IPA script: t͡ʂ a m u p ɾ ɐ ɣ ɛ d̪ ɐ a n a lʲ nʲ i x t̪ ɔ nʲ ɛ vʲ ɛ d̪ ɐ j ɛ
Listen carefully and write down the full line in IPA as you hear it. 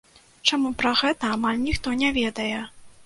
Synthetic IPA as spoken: t͡ʂ a m u p ɾ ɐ ɣ ɛ t̪ ɐ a m a lʲ nʲ i x t̪ ɔ nʲ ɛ vʲ ɛ d̪ ɐ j ɛ